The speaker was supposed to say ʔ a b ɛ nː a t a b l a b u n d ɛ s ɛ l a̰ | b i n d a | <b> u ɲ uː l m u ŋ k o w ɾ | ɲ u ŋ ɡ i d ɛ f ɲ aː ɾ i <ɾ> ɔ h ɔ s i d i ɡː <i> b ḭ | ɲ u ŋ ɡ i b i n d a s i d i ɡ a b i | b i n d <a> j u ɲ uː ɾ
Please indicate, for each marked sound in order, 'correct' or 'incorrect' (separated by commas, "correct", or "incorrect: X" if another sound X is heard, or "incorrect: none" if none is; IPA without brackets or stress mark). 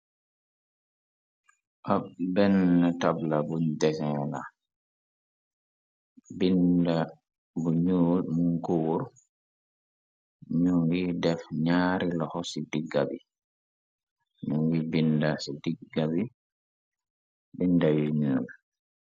correct, incorrect: l, incorrect: a, correct